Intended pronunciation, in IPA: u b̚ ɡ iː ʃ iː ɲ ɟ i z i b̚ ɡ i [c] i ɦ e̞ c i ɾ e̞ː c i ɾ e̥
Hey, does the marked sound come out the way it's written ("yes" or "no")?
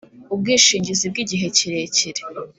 no